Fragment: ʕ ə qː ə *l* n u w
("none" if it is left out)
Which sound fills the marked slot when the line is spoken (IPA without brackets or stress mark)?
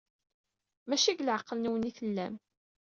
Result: l